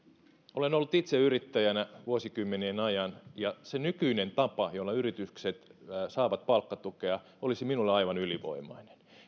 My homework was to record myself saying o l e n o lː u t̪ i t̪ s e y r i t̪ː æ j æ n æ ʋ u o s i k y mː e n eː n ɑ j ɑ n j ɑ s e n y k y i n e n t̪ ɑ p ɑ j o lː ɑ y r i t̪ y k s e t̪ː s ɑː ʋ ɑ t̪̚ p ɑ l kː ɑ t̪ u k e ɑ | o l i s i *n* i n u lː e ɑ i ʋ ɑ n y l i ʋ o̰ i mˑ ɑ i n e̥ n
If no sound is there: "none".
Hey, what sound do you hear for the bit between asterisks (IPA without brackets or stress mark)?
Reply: m